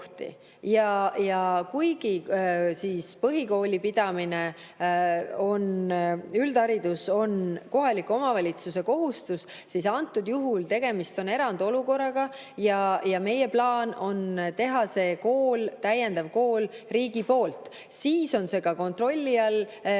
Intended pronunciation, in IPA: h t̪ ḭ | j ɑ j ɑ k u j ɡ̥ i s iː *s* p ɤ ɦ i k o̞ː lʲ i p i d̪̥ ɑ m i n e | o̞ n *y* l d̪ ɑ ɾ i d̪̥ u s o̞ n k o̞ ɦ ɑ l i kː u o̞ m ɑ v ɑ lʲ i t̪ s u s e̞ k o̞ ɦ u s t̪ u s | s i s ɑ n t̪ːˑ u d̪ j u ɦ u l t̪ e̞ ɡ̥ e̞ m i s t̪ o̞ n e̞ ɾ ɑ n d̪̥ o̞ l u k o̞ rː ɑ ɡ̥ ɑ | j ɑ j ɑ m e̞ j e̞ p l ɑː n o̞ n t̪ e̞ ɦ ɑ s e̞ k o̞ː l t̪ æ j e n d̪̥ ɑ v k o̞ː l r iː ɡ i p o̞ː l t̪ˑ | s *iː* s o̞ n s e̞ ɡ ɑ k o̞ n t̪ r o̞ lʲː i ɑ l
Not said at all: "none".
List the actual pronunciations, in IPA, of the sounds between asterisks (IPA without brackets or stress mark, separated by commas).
s, y, iː